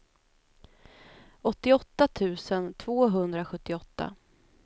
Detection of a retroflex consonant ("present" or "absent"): absent